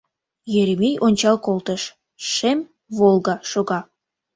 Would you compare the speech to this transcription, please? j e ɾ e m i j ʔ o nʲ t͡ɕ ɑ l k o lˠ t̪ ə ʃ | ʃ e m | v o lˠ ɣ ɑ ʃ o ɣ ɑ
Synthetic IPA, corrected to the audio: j e ɾ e m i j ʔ o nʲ t͡ɕ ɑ l k o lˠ t̪ ə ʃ | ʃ e m | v o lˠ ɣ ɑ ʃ o ɣ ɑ

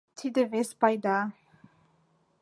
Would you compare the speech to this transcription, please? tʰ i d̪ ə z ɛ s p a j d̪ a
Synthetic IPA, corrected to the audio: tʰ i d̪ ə v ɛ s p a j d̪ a

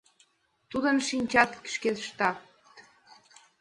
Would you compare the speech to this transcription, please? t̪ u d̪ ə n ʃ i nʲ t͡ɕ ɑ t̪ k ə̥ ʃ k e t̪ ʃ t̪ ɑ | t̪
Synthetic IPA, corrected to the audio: t̪ u d̪ ə n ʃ i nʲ t͡ɕ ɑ t̪ k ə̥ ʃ k e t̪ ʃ t̪ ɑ | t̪

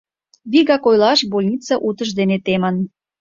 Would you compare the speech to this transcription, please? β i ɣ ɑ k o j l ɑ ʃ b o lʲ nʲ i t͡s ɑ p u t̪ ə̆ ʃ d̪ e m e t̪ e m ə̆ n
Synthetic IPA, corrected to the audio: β i ɣ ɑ k o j l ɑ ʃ b o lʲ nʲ i t͡s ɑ ʔ u t̪ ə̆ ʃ d̪ e n e t̪ e m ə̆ n

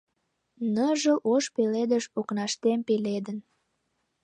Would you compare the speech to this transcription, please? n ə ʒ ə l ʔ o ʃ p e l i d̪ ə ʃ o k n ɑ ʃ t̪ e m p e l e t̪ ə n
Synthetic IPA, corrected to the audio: n ə ʒ ə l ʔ o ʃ p e l e d̪ ə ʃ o k n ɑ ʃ t̪ e m p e l e d̪ ə n

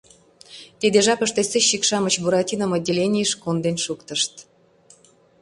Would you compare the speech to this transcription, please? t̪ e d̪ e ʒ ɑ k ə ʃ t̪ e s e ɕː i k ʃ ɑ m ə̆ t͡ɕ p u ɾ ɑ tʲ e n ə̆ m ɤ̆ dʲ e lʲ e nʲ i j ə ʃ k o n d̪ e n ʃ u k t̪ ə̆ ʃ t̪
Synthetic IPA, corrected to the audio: t̪ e d̪ e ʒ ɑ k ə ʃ t̪ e s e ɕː i k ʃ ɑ m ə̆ t͡ɕ b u ɾ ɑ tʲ i n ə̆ m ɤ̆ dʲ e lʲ e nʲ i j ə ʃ k o n d̪ e n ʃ u k t̪ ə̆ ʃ t̪

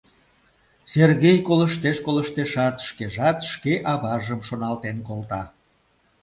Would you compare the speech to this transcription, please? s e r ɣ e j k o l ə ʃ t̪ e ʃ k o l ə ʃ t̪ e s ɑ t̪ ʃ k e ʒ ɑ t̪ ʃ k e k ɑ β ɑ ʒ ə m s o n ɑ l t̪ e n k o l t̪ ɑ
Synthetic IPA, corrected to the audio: s e r ɣ e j k o l ə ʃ t̪ e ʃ k o l ə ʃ t̪ e ʃ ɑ t̪ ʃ k e ʒ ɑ t̪ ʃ k e ʔ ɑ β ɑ ʒ ə m ʃ o n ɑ l t̪ e n k o l t̪ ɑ

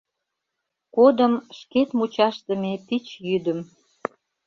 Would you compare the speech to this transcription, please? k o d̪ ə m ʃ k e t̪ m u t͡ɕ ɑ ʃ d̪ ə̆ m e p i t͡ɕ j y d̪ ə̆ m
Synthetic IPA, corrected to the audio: k o d̪ ə m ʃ k e t̪ m u t͡ɕ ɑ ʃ t̪ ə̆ m e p i t͡ɕ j y d̪ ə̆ m

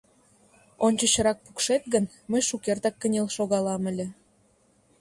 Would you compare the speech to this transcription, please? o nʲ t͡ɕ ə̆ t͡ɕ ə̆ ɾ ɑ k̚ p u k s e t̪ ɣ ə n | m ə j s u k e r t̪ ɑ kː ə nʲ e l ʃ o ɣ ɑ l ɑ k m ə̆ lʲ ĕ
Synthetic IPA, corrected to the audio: o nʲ t͡ɕ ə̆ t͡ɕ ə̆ ɾ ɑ k̚ p u k ʃ e t̪ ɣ ə n | m ə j ʃ u k e r t̪ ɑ kː ə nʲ e l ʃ o ɣ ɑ l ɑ m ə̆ lʲ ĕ

